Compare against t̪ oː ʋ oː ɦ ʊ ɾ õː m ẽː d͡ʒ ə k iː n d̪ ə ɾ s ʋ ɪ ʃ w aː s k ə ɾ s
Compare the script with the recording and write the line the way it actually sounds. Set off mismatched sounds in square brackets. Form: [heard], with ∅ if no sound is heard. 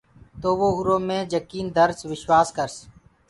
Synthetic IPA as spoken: t̪ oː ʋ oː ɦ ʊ ɾ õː m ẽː d͡ʒ ə k iː n d̪ ə ɾ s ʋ ɪ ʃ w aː s k ə ɾ s